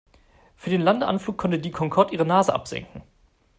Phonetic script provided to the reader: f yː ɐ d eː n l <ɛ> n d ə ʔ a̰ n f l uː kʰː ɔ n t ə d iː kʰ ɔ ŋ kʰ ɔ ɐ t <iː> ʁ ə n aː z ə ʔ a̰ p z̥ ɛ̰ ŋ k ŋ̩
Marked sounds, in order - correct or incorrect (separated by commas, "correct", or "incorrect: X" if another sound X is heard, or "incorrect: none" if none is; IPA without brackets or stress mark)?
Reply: incorrect: a, correct